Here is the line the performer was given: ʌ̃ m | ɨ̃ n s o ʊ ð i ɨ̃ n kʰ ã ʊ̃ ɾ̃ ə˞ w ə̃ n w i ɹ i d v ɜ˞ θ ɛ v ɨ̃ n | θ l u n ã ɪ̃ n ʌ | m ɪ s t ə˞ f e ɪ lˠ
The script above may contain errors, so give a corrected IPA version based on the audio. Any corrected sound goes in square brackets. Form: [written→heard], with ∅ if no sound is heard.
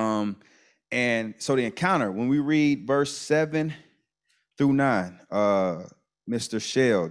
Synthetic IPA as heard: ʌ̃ m | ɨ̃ n s o ʊ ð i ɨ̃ n kʰ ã ʊ̃ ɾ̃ ə˞ w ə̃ n w i ɹ i d v ɜ˞ [θ→s] ɛ v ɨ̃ n | θ [l→ɹ] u n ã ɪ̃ n ʌ | m ɪ s t ə˞ [f→ʃ] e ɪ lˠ

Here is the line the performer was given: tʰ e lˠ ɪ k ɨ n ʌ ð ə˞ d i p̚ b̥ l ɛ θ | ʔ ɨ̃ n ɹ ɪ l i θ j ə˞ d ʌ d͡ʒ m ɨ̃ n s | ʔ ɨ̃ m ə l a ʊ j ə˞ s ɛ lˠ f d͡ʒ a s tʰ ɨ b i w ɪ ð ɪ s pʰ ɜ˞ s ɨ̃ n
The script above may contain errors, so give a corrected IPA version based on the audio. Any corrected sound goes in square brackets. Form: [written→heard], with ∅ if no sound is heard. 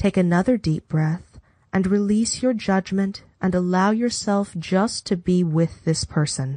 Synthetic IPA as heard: tʰ e [lˠ→∅] ɪ k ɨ n ʌ ð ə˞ d i p̚ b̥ [l→ɹ] ɛ θ | ʔ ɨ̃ n ɹ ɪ l i [θ→s] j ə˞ [d→d͡ʒ] ʌ d͡ʒ m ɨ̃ n [s→t] | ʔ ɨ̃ [m→n] ə l a ʊ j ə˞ s ɛ lˠ f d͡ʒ [a→ʌ] s tʰ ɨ b i w ɪ ð ɪ s pʰ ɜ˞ s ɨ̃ n

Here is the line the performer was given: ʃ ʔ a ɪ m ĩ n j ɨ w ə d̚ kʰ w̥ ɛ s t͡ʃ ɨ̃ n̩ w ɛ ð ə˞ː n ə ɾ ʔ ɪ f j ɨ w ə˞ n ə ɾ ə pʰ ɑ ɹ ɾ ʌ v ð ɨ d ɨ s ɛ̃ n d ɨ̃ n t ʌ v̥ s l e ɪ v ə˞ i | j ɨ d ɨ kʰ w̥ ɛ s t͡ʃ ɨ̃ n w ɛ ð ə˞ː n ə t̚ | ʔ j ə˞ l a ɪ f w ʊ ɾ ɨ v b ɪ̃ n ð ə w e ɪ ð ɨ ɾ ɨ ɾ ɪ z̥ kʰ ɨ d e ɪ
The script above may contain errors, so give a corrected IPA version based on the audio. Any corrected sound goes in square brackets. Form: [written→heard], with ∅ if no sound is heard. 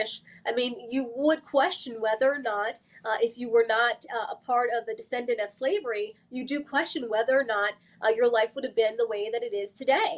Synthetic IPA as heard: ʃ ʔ a ɪ m ĩ n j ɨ w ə d̚ kʰ w̥ ɛ s t͡ʃ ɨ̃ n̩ w ɛ ð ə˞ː n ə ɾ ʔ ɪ f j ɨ w ə˞ n ə ɾ ə pʰ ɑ ɹ ɾ ʌ v ð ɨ d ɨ s ɛ̃ n d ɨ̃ n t ʌ v̥ s l e ɪ v ə˞ i | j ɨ d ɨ kʰ w̥ ɛ s t͡ʃ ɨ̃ n w ɛ ð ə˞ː n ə t̚ | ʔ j ə˞ l a ɪ f w ʊ ɾ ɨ v b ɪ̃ n ð ə w e ɪ ð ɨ ɾ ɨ ɾ ɪ z̥ [kʰ→tʰ] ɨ d e ɪ

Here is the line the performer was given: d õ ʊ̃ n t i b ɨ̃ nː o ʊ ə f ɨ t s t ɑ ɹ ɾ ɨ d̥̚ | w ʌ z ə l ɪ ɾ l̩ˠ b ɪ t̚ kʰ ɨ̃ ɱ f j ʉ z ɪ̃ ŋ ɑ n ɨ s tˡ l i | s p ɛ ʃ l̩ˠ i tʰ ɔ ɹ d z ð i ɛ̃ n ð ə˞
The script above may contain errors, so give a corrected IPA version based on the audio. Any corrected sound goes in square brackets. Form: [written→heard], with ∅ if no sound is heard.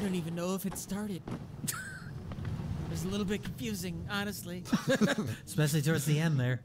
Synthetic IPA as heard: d õ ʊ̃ n t i [b→v] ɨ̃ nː o ʊ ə f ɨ t s t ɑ ɹ ɾ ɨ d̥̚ | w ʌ z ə l ɪ ɾ l̩ˠ b ɪ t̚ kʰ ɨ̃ ɱ f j ʉ z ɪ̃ ŋ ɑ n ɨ s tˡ l i | s p ɛ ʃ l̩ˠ i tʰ ɔ ɹ d z ð i ɛ̃ n ð ə˞

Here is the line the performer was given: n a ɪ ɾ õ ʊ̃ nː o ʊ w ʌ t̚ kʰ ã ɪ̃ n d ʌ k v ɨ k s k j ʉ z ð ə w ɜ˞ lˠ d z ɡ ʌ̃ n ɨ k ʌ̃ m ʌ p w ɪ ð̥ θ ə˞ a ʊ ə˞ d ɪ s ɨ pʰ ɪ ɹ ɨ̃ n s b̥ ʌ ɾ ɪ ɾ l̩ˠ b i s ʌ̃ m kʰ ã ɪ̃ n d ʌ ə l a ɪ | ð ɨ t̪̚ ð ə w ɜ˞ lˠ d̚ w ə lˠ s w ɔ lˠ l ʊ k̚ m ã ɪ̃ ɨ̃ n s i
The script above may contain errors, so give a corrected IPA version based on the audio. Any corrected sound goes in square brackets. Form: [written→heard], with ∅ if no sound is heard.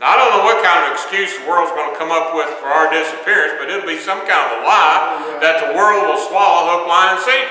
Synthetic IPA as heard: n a ɪ ɾ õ ʊ̃ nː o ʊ w ʌ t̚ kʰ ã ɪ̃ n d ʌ [k→∅] v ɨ k s k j ʉ z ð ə w ɜ˞ lˠ d z ɡ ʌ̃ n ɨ [k→kʰ] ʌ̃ m ʌ p w ɪ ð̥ [θ→f] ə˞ a ʊ ə˞ d ɪ s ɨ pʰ ɪ ɹ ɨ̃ n s b̥ ʌ ɾ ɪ ɾ l̩ˠ b i s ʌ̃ m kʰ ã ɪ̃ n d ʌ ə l a ɪ | ð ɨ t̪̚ ð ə w ɜ˞ lˠ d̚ w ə lˠ s w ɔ lˠ l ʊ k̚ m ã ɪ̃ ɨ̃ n s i

